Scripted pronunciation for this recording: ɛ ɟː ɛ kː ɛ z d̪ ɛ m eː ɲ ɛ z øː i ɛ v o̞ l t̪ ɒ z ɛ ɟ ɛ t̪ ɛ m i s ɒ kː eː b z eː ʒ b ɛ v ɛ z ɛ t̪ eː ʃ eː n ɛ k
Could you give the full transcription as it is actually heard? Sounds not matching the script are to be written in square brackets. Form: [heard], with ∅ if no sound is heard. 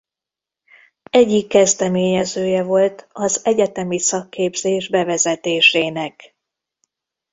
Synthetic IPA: ɛ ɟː [i] kː ɛ z d̪ ɛ m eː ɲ ɛ z øː [j] ɛ v o̞ l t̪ ɒ z ɛ ɟ ɛ t̪ ɛ m i s ɒ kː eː b z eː ʒ b ɛ v ɛ z ɛ t̪ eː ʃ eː n ɛ k